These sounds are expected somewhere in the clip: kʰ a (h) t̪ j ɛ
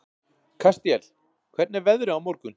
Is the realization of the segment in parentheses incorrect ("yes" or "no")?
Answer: yes